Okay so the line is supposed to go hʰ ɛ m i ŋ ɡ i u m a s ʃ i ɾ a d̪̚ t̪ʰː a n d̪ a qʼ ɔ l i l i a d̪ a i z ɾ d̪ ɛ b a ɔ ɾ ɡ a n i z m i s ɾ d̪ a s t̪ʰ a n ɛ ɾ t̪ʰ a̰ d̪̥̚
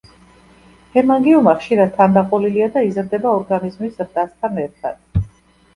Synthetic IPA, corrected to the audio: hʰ ɛ m a ŋ ɡ i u m a χ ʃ i ɾ a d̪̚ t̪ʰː a n d̪ a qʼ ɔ l i l i a d̪ a i z ɾ d̪ ɛ b a ɔ ɾ ɡ a n i z m i s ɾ d̪ a s t̪ʰ a n ɛ ɾ t̪ʰ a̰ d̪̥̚